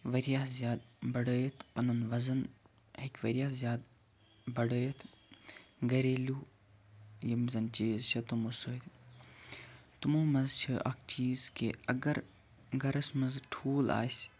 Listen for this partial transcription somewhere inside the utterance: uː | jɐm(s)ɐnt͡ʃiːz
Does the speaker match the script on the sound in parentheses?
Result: no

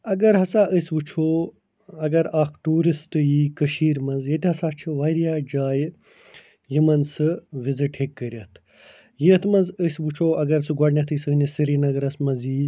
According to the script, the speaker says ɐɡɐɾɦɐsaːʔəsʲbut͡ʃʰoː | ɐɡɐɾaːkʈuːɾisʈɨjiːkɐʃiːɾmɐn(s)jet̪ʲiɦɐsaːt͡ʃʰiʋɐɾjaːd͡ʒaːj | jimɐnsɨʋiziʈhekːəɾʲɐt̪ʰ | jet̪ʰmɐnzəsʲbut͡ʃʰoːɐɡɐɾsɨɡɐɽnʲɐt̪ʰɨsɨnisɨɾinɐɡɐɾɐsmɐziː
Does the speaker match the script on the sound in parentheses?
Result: no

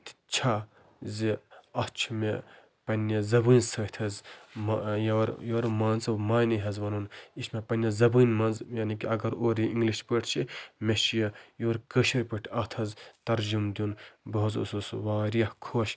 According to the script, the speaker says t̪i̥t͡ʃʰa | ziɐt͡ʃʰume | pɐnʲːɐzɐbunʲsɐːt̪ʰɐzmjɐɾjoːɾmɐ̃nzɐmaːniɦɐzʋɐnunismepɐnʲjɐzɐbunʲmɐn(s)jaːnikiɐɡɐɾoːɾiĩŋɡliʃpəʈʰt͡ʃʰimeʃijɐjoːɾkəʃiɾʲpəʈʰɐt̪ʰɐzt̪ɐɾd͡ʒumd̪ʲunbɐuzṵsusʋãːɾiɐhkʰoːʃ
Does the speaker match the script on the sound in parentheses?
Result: no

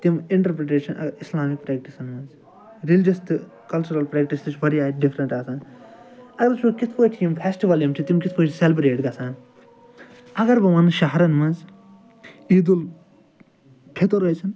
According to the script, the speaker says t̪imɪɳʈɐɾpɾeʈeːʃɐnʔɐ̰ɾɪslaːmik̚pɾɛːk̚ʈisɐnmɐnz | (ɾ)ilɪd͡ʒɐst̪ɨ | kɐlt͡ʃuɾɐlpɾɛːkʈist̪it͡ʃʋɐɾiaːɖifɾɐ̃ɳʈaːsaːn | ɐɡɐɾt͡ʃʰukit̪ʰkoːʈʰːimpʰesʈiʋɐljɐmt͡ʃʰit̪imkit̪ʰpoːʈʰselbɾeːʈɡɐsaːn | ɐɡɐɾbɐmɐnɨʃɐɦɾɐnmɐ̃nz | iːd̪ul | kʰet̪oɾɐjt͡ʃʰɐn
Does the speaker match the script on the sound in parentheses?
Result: yes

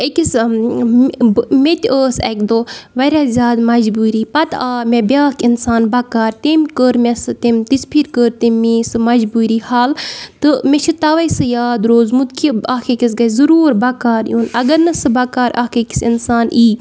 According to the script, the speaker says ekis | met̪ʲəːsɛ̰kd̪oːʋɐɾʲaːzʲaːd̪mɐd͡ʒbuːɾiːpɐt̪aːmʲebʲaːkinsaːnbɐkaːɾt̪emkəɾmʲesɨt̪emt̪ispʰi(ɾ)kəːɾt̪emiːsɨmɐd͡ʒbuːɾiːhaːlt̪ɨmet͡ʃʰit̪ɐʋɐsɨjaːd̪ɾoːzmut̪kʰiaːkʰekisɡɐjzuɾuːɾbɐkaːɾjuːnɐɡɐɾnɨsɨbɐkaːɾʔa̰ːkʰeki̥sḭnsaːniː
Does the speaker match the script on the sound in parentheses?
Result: yes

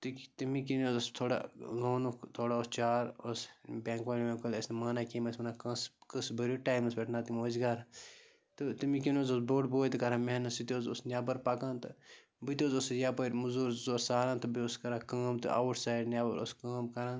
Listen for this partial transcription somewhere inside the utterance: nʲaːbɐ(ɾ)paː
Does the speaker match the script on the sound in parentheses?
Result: yes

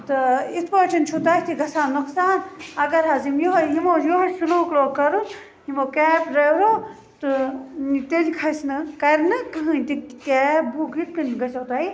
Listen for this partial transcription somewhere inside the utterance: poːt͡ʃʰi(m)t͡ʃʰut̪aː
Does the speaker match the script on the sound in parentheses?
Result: no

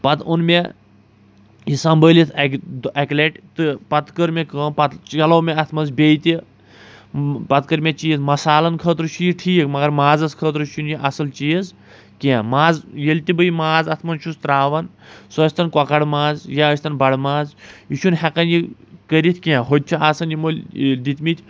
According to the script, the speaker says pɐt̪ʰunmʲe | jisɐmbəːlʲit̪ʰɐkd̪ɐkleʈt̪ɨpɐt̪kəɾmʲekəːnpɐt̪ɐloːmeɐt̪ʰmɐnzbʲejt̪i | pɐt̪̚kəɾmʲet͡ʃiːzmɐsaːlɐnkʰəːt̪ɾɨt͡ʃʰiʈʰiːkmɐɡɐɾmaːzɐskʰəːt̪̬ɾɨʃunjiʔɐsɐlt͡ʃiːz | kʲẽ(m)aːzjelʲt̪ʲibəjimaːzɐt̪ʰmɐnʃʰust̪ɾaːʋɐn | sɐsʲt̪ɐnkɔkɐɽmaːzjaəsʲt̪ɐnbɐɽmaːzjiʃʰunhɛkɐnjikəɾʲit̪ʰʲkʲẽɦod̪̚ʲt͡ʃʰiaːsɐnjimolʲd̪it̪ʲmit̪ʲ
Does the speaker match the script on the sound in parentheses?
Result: yes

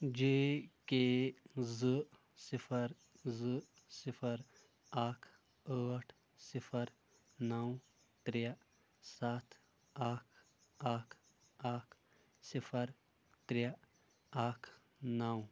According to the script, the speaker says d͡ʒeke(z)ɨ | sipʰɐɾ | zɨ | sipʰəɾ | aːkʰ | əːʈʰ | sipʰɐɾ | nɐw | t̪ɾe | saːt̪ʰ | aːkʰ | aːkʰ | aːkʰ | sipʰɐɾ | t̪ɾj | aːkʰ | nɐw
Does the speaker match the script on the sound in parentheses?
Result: yes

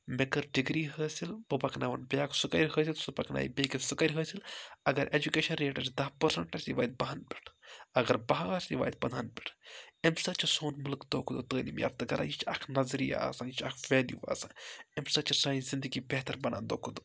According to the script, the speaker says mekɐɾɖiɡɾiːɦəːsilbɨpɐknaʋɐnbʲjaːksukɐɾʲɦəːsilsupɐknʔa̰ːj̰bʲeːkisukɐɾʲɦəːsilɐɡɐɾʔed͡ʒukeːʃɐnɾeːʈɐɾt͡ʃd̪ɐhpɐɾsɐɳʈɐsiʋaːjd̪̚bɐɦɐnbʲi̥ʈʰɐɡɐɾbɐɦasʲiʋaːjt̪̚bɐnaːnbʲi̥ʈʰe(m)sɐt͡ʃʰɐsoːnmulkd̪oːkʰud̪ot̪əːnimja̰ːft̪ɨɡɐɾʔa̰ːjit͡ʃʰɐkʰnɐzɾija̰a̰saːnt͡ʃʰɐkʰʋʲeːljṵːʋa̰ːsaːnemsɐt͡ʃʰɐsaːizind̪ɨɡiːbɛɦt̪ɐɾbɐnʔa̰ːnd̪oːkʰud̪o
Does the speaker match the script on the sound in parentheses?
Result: yes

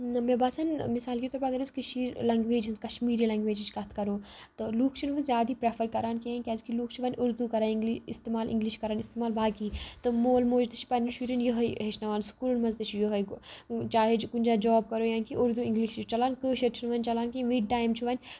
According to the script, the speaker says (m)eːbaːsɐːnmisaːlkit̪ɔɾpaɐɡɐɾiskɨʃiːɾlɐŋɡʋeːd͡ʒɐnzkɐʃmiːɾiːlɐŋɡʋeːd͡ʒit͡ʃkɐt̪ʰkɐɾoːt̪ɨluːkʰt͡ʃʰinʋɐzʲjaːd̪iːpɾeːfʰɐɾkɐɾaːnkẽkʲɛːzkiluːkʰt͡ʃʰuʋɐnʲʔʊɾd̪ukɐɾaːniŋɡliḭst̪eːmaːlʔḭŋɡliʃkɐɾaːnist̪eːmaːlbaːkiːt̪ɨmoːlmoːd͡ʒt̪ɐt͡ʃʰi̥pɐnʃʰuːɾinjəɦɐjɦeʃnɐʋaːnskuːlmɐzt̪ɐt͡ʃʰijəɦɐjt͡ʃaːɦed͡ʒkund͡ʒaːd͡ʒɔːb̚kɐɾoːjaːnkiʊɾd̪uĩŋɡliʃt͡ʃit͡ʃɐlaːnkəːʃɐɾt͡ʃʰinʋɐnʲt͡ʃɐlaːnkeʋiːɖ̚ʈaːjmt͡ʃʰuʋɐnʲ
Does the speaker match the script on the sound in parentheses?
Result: yes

